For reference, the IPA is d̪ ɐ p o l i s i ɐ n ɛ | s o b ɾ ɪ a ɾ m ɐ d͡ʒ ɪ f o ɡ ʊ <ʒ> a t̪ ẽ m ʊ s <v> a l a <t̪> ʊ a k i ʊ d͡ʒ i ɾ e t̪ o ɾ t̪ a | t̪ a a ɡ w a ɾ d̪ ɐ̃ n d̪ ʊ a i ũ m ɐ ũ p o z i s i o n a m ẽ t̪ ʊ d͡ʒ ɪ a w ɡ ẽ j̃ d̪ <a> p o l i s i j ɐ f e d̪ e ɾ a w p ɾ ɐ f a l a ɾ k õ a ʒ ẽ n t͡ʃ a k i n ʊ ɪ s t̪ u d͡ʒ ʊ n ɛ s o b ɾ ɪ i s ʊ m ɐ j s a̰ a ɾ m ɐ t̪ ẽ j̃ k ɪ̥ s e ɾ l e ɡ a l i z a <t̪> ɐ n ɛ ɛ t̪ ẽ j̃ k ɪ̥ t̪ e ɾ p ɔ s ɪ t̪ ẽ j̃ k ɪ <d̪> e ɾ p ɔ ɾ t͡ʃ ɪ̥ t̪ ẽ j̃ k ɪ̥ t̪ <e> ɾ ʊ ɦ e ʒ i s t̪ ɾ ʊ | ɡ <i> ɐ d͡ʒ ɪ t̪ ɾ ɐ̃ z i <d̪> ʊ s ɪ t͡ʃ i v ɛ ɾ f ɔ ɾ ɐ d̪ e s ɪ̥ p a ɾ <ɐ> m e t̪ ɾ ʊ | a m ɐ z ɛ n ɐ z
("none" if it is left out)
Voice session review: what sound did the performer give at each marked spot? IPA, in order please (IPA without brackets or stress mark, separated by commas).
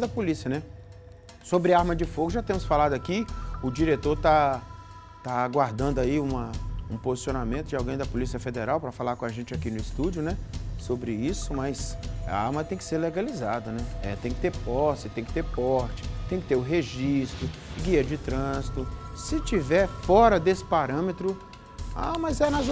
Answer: ʒ, f, d̪, ɐ, d̪, t̪, e, i, t̪, ɐ̃